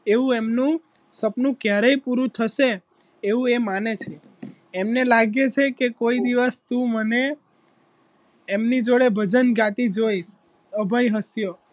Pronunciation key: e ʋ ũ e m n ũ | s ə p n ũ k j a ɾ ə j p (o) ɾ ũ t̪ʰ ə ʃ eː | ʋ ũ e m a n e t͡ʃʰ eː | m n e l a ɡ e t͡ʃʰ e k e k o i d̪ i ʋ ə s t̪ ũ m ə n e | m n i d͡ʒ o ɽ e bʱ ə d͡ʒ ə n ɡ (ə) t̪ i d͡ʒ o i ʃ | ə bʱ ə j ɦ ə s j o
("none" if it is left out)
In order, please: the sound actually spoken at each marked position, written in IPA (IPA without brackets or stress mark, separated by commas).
u, a